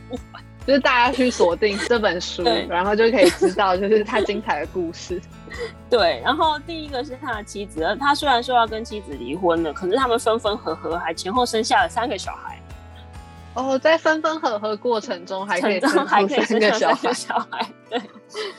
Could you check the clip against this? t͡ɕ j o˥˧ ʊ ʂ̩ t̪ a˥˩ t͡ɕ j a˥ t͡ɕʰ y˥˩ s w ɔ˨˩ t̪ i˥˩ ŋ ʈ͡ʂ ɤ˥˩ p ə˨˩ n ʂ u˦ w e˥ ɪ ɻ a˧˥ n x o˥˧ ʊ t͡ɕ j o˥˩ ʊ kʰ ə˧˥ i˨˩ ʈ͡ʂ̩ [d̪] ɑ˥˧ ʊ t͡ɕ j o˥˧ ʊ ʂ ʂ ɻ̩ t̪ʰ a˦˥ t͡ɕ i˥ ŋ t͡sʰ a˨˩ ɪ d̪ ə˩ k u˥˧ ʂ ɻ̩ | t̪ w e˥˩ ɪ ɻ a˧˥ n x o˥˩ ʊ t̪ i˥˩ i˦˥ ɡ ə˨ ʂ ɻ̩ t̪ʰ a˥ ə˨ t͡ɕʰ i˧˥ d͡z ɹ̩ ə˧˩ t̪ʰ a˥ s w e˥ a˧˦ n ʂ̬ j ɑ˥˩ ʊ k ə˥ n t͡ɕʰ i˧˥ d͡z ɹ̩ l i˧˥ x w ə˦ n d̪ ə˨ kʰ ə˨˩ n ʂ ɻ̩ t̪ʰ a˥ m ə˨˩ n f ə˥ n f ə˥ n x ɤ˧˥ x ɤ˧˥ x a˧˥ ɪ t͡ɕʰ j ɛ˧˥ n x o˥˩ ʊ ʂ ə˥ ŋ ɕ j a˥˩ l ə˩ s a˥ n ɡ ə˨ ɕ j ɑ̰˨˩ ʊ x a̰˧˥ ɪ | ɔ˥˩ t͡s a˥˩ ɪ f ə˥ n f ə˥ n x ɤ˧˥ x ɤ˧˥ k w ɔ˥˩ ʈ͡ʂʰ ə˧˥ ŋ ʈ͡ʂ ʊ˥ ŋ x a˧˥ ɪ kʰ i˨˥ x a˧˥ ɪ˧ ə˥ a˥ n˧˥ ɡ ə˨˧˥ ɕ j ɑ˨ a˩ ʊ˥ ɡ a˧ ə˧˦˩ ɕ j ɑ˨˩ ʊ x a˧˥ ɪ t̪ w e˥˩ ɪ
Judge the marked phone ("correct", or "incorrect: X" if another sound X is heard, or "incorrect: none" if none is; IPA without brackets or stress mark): incorrect: t̪